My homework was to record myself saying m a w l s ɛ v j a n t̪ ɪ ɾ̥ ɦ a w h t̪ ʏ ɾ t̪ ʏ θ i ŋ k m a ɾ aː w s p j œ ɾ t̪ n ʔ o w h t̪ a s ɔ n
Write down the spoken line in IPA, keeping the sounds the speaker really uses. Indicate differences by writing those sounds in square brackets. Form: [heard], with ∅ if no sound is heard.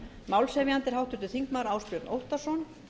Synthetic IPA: m a w l s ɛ v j a n t̪ ɪ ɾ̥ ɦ a w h t̪ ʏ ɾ t̪ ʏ θ i ŋ k m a ɾ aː w s p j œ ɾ t̪ n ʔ o w h t̪ a s ɔ n